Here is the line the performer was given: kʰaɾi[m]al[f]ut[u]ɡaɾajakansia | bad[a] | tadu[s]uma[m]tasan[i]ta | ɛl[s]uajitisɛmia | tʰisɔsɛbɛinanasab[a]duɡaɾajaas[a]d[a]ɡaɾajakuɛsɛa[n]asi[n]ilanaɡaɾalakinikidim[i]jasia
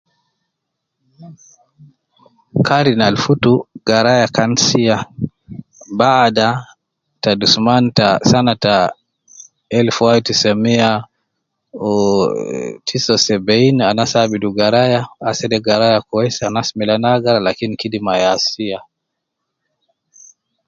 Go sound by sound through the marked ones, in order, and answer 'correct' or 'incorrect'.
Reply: incorrect: n, correct, correct, correct, correct, incorrect: n, incorrect: a, incorrect: f, incorrect: i, incorrect: ɛ, incorrect: ɛ, correct, incorrect: m, incorrect: a

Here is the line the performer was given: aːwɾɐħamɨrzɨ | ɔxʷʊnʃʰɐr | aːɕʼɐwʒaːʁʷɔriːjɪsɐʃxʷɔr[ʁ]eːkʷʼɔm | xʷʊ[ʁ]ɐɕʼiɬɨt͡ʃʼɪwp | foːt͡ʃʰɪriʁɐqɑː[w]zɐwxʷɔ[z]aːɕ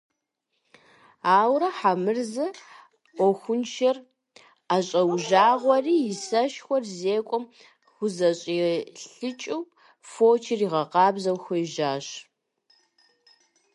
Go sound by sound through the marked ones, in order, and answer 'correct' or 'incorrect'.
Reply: incorrect: z, incorrect: z, incorrect: b, incorrect: ʒ

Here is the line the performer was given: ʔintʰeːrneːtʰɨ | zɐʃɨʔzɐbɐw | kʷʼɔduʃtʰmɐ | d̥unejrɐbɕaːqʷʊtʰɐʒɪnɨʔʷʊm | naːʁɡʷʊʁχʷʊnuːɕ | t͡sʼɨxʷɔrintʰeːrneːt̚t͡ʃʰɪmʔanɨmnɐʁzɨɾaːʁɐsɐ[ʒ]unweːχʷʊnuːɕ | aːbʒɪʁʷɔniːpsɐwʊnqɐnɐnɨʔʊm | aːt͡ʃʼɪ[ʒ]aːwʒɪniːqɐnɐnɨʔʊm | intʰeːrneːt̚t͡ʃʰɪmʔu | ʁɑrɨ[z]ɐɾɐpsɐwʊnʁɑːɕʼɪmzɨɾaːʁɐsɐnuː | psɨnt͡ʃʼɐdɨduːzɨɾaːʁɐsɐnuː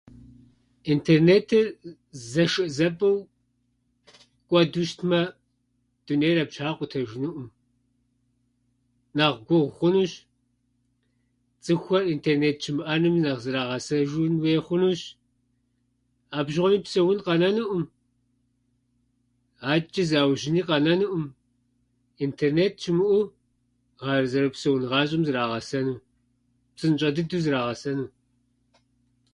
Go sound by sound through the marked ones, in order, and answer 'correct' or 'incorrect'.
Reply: correct, incorrect: z, correct

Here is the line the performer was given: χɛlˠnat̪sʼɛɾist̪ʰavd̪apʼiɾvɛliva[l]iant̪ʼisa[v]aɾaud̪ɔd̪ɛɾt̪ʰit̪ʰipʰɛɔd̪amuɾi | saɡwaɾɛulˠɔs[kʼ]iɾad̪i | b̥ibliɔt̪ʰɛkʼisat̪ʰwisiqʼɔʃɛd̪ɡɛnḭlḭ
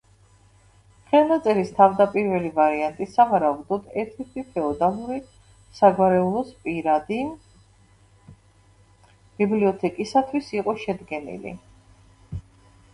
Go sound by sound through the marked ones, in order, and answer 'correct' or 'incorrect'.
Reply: incorrect: ɾ, correct, incorrect: pʼ

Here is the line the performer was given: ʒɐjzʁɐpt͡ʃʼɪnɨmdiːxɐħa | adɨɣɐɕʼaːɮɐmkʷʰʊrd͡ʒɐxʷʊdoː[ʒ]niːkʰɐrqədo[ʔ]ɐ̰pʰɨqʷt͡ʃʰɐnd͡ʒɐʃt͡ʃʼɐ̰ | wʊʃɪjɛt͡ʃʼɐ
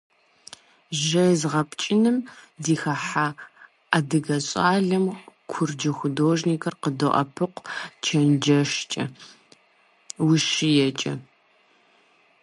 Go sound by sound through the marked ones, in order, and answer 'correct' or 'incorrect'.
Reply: correct, correct

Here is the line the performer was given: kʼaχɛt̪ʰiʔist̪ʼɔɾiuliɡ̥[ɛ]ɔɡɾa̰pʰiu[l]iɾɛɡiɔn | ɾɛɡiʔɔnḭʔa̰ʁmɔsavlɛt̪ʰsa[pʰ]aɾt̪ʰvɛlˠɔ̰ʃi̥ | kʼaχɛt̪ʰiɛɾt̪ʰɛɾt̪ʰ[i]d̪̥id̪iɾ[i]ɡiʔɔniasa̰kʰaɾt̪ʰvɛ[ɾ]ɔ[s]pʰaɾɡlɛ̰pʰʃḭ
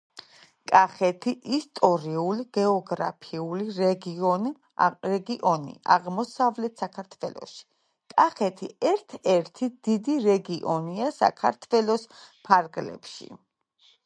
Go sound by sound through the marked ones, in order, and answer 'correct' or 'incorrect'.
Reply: correct, correct, incorrect: kʰ, correct, incorrect: ɛ, incorrect: l, correct

